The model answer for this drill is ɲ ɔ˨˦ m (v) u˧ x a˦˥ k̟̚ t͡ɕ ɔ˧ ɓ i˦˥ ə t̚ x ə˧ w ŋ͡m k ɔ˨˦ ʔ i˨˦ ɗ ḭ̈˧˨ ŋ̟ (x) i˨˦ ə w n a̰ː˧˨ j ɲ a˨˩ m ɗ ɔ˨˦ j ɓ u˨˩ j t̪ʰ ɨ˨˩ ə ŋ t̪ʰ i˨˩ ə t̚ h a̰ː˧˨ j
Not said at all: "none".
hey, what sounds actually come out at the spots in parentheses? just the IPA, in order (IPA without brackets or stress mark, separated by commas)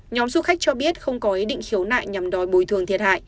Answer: z, x